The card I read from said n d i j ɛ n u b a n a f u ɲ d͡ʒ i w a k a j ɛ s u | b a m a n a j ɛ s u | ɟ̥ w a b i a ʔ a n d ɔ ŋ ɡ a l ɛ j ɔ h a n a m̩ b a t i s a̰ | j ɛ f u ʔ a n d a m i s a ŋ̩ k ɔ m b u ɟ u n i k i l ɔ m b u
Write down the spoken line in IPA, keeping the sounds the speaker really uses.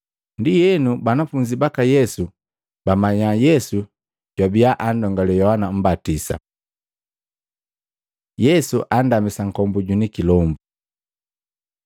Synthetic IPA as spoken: n d i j ɛ n u b a n a f u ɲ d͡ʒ i b a k a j ɛ s u | b a m a ɲ a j ɛ s u | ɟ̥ w a b i a ʔ a n d ɔ ŋ ɡ a l ɛ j ɔ h a n a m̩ b a t i s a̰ | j ɛ s u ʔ a n d a m i s a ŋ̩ k ɔ m b u ɟ u n i k i l ɔ m b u